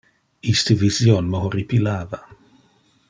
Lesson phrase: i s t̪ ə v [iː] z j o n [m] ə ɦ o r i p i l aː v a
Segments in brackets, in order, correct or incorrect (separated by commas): incorrect, correct